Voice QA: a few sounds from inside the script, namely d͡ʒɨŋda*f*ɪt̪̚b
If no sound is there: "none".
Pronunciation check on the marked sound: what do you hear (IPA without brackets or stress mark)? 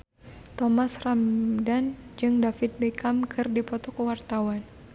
f